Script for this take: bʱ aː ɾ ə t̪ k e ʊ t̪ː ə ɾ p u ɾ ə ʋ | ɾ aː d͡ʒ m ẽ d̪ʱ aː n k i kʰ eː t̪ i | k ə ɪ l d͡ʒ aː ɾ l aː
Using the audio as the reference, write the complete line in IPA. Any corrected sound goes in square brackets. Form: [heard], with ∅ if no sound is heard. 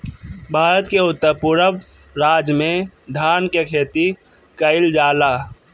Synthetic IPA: bʱ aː ɾ ə t̪ k e ʊ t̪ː ə ɾ p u ɾ ə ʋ | ɾ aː d͡ʒ m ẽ d̪ʱ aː n k [e] kʰ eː t̪ i | k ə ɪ l d͡ʒ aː [∅] l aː